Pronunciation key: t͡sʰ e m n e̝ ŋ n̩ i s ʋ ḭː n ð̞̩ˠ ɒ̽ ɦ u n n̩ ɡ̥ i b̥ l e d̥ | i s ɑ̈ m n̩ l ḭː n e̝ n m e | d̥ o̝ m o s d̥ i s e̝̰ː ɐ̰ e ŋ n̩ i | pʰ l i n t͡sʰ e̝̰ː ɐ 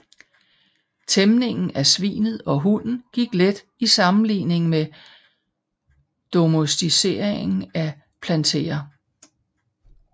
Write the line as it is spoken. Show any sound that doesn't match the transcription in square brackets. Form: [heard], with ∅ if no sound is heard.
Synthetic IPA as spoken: t͡sʰ e m n e̝ ŋ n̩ [æ] s ʋ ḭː n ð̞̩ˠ ɒ̽ ɦ u n n̩ ɡ̥ i [ɡ̥] l e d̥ | i s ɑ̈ m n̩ l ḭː n e̝ [ŋ] m e | d̥ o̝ m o s d̥ i s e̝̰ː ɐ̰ e ŋ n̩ [æ] | pʰ l [æ] n t͡sʰ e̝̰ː ɐ